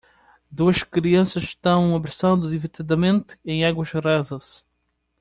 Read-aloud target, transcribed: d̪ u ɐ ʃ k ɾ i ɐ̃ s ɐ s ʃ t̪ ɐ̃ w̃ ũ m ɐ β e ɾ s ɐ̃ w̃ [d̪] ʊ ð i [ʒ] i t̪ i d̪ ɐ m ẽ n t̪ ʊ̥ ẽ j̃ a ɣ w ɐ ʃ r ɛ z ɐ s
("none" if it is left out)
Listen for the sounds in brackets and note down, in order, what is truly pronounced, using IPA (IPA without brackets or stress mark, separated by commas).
d̪, v